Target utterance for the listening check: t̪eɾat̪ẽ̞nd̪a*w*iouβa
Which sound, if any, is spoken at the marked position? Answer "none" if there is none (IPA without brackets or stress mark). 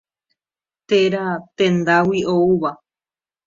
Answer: w